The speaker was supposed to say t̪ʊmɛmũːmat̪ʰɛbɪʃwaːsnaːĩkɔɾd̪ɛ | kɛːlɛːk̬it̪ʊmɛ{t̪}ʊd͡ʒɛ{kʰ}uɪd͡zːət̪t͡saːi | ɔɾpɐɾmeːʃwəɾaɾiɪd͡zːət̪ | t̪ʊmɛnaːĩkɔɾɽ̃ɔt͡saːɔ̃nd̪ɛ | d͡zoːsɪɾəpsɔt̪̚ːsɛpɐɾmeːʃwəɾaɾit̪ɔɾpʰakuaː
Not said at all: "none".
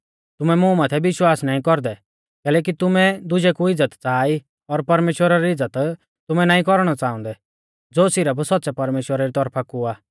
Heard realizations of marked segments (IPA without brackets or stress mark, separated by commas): d̪, k